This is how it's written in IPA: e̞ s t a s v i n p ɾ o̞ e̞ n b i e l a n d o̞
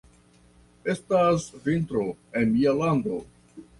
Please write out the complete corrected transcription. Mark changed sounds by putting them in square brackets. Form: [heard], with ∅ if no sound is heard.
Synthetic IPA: e̞ s t a s v i n [t] ɾ o̞ e̞ n [m] i [a] l a n d o̞